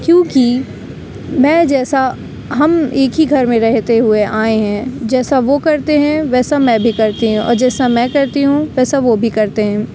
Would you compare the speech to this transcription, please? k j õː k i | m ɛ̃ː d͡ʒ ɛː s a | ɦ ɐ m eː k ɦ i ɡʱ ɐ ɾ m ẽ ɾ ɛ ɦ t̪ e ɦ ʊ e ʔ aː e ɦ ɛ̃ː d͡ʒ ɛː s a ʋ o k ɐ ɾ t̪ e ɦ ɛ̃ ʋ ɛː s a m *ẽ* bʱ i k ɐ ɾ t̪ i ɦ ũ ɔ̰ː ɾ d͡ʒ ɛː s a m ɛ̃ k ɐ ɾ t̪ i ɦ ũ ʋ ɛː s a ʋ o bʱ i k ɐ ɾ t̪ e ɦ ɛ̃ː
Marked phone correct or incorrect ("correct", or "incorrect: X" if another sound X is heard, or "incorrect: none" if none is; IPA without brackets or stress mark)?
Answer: incorrect: ɛ̃